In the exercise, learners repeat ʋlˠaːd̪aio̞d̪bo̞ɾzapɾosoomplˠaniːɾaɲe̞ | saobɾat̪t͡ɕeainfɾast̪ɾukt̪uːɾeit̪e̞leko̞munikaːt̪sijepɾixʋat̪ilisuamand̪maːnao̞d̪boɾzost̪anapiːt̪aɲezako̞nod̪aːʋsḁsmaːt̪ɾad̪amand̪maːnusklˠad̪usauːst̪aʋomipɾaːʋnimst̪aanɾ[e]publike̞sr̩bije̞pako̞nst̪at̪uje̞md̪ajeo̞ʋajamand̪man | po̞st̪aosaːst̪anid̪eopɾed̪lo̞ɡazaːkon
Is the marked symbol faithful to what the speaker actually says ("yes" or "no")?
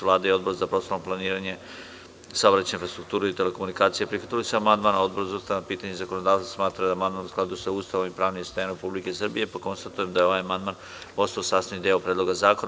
yes